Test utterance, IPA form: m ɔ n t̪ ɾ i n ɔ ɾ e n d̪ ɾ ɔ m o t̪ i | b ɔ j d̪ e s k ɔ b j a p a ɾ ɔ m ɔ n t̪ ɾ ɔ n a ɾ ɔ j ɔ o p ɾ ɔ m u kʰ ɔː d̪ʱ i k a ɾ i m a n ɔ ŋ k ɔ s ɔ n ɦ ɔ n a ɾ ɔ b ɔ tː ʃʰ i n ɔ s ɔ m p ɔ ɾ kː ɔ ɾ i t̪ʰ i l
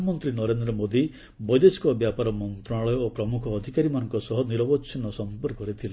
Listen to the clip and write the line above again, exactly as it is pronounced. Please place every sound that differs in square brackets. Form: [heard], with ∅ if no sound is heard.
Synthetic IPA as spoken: m ɔ n t̪ ɾ i n ɔ ɾ e n d̪ ɾ ɔ m o [d̪] i | b ɔ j d̪ e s k ɔ b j a p a ɾ ɔ m ɔ n t̪ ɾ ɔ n a [ɭ] ɔ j ɔ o p ɾ ɔ m u kʰ ɔː d̪ʱ i k a ɾ i m a n ɔ ŋ k ɔ s ɔ [∅] ɦ ɔ n [i] ɾ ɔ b ɔ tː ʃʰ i n ɔ s ɔ m p ɔ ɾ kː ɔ ɾ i t̪ʰ i l